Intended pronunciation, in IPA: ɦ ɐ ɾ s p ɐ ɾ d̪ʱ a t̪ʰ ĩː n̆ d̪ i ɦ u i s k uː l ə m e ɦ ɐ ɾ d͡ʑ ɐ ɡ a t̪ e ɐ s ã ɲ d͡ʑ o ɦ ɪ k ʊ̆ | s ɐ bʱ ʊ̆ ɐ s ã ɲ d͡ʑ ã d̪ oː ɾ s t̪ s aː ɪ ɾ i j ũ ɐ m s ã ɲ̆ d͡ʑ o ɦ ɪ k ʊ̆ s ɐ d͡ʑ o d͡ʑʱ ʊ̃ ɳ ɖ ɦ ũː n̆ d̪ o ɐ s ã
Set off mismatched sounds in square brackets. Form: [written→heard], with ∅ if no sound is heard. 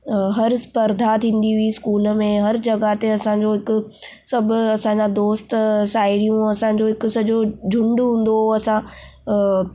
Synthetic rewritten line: ɦ ɐ ɾ s p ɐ ɾ d̪ʱ a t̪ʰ ĩː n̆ d̪ i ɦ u i s k uː l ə m [e→ẽ] ɦ ɐ ɾ d͡ʑ ɐ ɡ a t̪ e ɐ s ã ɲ d͡ʑ o ɦ ɪ k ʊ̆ | s ɐ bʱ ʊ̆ ɐ s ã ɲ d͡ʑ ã d̪ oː [ɾ→∅] s t̪ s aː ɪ ɾ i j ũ ɐ [m→∅] s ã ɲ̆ d͡ʑ o ɦ ɪ k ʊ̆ s ɐ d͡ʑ o d͡ʑʱ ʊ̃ ɳ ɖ ɦ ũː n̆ d̪ o ɐ s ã